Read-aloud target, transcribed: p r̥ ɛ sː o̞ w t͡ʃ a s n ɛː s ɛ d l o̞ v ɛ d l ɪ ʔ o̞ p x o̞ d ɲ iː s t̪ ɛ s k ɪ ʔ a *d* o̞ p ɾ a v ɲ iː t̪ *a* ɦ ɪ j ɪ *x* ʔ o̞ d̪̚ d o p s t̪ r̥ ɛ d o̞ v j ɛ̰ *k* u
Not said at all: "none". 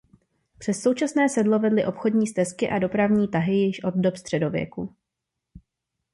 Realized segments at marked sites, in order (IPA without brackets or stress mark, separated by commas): d, a, ʃ, k